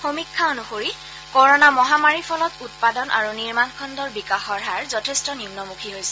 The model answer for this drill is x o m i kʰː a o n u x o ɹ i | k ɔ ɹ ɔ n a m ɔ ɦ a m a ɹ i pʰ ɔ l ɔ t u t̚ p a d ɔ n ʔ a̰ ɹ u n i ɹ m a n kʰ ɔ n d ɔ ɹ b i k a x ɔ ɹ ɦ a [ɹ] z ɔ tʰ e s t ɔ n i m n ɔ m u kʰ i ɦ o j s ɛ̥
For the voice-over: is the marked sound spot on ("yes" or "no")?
yes